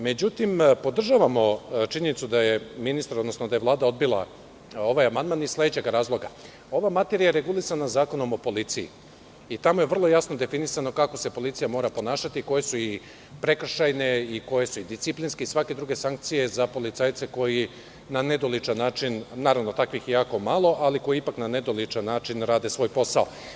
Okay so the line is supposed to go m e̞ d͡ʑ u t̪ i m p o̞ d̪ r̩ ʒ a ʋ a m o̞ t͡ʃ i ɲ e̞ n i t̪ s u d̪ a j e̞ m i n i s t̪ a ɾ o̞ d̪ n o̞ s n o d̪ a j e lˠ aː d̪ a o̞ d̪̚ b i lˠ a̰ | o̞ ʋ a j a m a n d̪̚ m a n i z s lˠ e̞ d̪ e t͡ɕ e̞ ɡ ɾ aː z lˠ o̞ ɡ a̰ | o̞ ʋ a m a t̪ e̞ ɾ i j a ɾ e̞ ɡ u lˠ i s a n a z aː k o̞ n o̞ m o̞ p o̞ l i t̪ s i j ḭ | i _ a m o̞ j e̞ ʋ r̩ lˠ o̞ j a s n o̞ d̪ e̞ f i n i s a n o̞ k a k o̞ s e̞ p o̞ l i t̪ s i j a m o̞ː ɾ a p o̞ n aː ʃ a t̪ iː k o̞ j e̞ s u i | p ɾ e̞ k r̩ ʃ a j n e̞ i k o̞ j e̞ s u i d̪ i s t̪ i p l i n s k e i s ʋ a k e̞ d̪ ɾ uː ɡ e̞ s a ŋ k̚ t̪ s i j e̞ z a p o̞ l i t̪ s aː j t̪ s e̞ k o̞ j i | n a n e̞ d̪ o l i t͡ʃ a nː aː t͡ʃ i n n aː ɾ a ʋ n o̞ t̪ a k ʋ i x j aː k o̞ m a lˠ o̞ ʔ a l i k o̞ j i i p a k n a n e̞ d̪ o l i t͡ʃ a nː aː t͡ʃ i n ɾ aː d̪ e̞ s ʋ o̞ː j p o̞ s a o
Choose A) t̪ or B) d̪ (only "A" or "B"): A